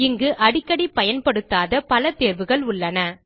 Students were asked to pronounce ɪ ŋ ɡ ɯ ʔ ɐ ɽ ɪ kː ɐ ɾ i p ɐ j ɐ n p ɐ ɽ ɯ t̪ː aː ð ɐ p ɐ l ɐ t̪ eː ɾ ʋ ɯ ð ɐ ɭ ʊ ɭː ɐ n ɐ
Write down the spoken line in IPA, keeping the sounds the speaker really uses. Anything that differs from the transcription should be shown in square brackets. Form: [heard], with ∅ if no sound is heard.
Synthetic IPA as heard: ɪ ŋ ɡ ɯ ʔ ɐ ɽ ɪ kː ɐ [ɽ] i p ɐ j ɐ n p ɐ ɽ ɯ t̪ː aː ð ɐ p ɐ l ɐ t̪ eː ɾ ʋ ɯ [ɣ] ɐ ɭ ʊ ɭː ɐ n ɐ